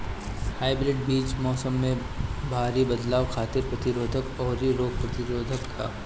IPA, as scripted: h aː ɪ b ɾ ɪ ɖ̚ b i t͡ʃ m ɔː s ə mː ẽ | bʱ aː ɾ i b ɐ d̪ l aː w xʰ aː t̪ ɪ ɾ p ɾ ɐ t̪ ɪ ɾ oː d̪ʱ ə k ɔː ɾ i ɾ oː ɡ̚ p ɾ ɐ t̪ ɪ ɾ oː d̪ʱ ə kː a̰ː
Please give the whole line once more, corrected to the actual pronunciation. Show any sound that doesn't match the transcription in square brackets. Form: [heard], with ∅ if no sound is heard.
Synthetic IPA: h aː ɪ b ɾ ɪ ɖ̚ b [iː] t͡ʃ m ɔː s ə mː ẽ | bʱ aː ɾ i b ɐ d̪ l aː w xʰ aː t̪ ɪ ɾ p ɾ ɐ t̪ ɪ ɾ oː d̪ʱ ə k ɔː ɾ i ɾ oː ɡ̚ p ɾ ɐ t̪ ɪ ɾ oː d̪ʱ ə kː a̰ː